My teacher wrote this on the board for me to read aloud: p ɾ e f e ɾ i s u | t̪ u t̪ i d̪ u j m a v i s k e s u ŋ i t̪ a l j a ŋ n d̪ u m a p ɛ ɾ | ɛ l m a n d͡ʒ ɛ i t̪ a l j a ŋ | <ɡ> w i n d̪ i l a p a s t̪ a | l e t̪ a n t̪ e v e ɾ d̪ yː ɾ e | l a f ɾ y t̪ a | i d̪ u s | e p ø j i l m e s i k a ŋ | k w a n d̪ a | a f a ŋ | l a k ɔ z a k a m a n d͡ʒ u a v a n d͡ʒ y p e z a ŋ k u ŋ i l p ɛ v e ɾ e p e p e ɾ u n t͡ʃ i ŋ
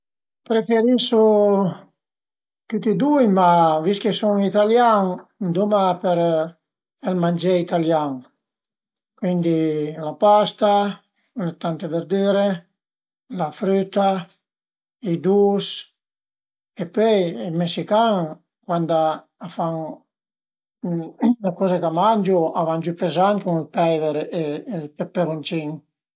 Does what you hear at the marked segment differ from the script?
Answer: yes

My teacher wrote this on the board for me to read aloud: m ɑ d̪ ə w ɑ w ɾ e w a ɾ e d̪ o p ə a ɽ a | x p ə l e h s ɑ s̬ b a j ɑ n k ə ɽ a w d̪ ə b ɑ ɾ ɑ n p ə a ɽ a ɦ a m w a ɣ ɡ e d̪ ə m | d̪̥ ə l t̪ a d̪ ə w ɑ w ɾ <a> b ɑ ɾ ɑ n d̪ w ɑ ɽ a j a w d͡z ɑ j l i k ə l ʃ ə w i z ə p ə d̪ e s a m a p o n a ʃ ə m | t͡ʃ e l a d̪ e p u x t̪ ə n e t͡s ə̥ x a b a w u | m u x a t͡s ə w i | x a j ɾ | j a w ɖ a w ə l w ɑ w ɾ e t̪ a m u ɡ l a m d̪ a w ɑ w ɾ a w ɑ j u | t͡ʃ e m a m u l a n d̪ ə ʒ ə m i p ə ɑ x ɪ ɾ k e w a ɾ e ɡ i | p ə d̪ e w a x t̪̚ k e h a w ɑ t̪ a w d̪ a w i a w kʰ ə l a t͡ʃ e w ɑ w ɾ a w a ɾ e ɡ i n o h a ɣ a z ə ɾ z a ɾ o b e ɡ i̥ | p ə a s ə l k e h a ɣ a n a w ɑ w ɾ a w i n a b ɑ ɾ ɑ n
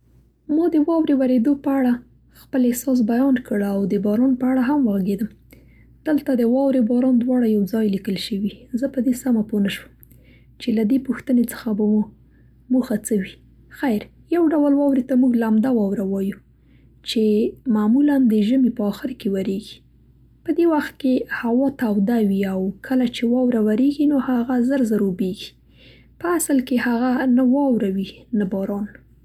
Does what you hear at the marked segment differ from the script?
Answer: yes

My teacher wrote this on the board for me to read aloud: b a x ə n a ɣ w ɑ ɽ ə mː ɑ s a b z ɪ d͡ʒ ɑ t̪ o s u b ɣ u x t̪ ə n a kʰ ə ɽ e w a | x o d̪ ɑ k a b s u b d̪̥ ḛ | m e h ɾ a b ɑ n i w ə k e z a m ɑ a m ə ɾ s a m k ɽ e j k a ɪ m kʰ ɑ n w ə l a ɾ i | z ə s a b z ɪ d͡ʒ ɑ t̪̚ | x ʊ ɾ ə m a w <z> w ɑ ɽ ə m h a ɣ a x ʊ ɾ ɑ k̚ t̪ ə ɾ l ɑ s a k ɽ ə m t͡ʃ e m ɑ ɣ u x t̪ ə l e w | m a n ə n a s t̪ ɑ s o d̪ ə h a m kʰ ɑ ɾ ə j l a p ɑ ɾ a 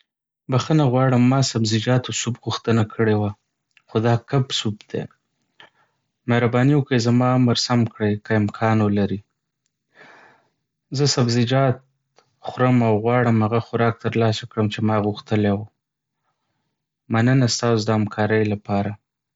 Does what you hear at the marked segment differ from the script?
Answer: yes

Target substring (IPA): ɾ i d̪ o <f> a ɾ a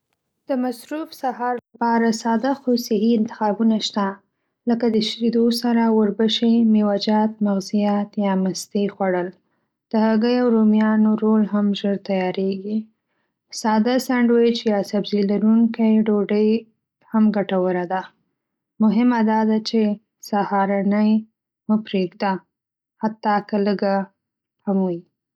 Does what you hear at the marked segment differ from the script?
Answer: yes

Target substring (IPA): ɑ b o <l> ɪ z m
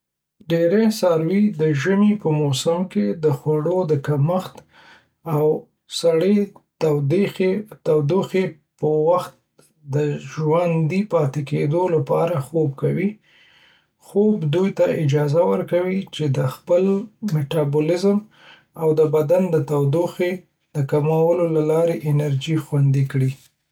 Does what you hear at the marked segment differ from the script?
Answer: no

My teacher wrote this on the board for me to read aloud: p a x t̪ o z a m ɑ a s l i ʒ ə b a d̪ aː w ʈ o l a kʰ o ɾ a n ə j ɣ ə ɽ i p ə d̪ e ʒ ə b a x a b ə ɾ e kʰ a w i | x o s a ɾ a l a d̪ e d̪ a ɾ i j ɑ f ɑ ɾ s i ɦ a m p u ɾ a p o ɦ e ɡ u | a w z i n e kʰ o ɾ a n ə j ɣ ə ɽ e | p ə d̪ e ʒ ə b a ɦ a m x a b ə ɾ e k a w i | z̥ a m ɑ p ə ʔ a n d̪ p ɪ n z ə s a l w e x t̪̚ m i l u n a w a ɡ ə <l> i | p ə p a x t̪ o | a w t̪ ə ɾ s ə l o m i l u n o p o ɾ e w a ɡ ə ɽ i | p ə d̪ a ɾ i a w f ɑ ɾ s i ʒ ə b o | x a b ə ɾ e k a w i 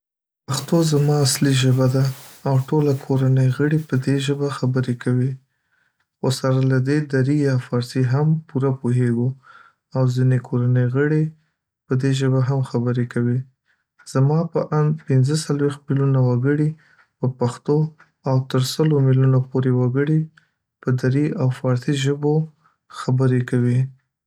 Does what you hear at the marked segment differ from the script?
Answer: yes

